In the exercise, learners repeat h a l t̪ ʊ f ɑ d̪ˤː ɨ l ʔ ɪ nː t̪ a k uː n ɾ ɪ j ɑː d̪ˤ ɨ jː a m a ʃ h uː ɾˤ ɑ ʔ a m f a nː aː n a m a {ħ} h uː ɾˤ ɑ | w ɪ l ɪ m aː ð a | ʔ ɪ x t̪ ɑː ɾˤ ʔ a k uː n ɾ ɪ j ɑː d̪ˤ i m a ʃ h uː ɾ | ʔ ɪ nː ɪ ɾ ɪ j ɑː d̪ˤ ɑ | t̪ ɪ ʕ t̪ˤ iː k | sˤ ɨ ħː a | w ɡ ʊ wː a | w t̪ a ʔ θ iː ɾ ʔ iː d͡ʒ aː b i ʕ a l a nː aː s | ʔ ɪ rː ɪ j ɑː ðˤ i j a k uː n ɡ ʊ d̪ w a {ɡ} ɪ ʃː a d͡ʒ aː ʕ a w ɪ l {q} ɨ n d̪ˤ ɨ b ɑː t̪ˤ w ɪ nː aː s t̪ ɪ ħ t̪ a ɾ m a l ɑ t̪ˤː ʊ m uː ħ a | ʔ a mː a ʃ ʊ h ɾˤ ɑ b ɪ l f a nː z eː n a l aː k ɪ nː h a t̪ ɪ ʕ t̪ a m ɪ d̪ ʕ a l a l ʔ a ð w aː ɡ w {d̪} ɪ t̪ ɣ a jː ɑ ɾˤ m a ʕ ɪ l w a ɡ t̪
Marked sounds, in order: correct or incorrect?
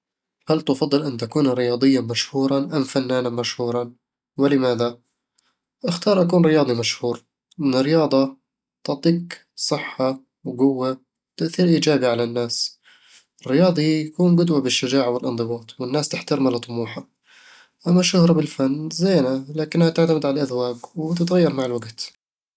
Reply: incorrect: ʃ, incorrect: b, incorrect: ʔ, incorrect: t̪

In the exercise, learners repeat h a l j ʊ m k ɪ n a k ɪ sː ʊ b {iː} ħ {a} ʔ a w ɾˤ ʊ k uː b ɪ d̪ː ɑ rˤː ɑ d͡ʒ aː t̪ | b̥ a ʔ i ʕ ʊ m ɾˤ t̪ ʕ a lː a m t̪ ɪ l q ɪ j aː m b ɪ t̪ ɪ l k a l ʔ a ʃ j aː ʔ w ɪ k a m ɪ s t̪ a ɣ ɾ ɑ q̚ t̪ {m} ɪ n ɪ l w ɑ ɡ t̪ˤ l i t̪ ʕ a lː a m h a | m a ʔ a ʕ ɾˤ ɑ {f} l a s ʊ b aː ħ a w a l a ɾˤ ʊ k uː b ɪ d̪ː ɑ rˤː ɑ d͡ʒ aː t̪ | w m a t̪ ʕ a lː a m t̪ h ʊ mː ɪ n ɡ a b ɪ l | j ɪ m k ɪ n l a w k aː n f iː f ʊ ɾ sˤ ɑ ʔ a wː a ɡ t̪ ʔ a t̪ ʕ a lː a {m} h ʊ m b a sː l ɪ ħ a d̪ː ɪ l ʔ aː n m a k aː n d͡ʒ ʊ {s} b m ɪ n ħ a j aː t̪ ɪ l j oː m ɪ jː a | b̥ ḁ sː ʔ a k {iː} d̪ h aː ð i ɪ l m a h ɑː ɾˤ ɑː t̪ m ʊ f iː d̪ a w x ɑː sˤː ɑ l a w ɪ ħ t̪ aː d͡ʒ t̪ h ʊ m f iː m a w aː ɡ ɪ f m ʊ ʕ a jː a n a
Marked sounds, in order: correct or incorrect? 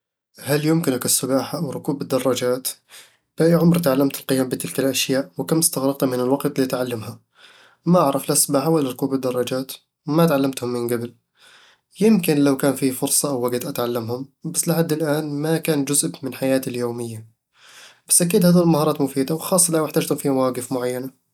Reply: incorrect: aː, correct, correct, correct, correct, incorrect: z, correct

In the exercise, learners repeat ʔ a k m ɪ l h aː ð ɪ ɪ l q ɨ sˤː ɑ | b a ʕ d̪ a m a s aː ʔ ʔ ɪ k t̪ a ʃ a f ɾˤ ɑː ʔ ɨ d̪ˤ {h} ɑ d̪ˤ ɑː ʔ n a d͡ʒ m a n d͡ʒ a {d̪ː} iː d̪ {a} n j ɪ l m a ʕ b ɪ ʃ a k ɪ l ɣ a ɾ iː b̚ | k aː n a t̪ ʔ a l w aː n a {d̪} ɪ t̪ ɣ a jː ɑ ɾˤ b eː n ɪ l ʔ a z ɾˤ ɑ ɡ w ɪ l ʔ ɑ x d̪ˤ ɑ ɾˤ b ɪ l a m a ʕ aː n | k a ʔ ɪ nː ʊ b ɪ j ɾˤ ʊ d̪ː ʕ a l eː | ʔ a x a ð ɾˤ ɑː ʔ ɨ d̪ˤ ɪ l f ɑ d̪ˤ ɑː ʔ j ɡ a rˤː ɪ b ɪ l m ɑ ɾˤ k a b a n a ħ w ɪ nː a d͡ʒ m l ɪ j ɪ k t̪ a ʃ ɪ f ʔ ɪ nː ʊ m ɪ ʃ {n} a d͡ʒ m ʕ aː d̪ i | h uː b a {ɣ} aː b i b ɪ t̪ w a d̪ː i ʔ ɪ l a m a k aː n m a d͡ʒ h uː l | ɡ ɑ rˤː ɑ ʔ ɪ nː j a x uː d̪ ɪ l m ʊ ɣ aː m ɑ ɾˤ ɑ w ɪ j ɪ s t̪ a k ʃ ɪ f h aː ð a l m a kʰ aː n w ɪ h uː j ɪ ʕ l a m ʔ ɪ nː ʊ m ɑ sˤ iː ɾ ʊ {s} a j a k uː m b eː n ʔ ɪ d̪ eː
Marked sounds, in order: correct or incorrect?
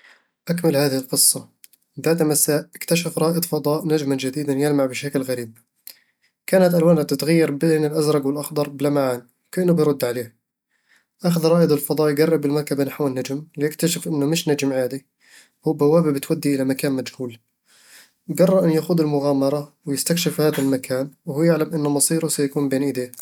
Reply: incorrect: f, incorrect: d̪, correct, incorrect: t̪, correct, incorrect: w, correct

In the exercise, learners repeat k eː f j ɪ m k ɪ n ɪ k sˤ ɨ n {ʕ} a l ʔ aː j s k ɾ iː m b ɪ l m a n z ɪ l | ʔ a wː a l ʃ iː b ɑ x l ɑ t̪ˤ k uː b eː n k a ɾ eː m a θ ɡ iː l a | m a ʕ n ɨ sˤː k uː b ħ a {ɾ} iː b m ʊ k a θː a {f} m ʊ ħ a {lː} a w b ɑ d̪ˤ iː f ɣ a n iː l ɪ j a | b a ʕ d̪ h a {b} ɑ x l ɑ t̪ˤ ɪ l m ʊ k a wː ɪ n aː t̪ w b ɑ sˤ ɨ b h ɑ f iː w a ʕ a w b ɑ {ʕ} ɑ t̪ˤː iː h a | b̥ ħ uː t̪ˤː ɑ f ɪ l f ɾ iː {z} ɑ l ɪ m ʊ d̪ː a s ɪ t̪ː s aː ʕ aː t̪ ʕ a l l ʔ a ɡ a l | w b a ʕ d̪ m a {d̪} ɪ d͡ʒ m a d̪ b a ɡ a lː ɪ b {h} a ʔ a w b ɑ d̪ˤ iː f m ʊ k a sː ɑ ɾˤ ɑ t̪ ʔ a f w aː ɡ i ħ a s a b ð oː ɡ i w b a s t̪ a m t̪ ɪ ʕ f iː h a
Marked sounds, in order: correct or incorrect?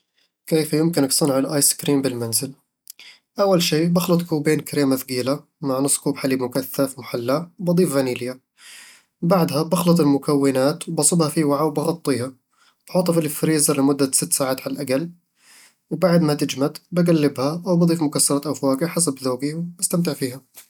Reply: correct, incorrect: l, correct, correct, correct, incorrect: ɣ, correct, incorrect: t̪, correct

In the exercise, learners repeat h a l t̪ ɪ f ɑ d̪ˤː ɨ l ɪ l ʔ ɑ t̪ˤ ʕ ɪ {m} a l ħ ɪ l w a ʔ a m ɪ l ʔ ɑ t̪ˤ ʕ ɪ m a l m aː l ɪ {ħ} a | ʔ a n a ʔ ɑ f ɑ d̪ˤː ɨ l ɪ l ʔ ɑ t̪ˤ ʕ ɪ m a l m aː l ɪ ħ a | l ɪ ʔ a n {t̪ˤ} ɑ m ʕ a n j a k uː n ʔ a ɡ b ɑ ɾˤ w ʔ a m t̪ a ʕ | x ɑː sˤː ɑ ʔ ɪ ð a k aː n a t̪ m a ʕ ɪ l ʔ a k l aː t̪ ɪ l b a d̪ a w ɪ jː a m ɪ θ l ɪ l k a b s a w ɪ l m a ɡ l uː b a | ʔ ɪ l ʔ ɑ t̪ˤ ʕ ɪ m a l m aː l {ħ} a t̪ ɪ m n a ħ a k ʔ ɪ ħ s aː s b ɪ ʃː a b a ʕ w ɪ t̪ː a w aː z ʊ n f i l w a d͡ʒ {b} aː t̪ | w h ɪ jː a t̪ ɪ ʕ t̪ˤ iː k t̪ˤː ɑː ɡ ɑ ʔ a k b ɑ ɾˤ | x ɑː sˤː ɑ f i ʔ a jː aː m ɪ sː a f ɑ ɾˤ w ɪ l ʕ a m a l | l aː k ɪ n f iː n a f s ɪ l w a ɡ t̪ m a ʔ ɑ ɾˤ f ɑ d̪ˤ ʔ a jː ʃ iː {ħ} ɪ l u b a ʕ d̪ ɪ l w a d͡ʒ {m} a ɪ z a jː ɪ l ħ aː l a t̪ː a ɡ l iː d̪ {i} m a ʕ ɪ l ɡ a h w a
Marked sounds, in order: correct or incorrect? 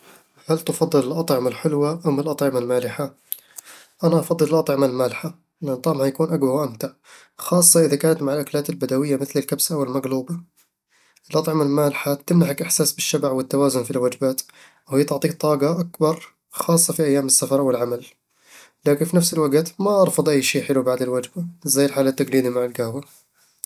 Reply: correct, correct, correct, correct, correct, correct, incorrect: b, correct

